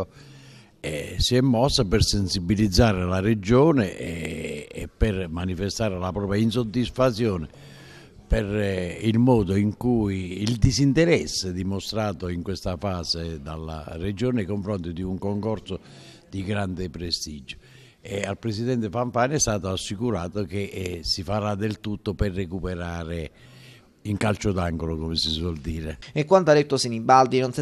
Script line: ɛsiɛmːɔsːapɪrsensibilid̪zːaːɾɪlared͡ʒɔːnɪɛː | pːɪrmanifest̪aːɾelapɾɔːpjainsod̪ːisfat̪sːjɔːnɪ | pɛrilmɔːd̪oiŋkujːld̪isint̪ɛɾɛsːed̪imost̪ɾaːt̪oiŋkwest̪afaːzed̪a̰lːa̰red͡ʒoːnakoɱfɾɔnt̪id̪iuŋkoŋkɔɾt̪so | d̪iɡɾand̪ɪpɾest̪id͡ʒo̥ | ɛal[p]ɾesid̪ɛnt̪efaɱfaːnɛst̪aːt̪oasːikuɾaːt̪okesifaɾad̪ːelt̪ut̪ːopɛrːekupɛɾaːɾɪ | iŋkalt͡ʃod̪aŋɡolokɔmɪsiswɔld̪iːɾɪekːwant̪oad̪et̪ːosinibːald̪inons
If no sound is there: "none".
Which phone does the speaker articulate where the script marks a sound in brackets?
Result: p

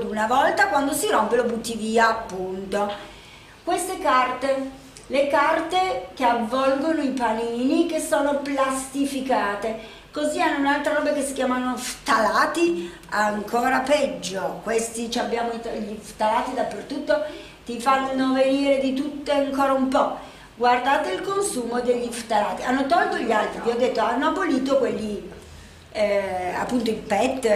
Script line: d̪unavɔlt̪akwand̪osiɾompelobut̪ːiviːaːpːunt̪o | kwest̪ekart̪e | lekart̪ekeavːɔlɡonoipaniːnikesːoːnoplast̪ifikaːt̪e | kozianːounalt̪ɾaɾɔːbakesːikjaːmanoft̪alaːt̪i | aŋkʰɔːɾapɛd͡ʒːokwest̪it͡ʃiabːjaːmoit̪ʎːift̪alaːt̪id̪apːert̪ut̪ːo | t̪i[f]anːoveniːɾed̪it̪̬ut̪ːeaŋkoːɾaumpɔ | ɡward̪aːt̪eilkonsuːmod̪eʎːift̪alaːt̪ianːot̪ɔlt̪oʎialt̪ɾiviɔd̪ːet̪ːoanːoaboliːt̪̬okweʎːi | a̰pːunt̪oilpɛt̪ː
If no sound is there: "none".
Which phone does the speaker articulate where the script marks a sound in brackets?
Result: f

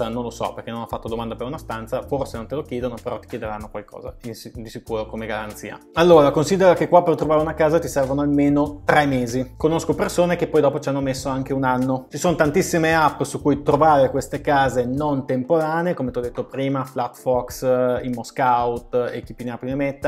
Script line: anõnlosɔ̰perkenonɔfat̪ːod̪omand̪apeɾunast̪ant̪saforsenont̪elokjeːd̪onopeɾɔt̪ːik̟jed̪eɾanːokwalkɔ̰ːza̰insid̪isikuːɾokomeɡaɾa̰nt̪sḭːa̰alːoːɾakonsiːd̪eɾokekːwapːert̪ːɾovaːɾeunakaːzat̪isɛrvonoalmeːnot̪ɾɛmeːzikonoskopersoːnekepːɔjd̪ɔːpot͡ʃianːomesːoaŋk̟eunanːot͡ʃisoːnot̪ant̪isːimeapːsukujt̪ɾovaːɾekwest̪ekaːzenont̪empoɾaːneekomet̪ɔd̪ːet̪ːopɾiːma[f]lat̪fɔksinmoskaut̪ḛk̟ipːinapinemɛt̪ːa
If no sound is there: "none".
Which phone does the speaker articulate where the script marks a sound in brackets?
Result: f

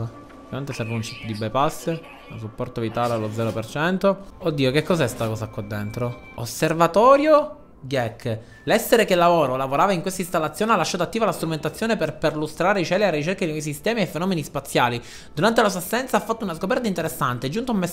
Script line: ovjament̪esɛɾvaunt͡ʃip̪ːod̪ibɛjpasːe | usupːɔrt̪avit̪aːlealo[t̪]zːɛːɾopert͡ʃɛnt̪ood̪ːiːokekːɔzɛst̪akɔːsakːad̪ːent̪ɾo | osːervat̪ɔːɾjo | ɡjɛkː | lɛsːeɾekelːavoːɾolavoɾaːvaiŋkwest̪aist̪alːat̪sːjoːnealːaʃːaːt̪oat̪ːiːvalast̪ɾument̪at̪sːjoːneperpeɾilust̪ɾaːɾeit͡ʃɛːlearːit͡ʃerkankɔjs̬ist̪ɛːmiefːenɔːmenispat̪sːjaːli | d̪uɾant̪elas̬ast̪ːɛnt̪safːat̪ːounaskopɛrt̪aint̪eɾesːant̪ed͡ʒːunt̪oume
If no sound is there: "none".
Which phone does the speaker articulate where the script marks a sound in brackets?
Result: d̪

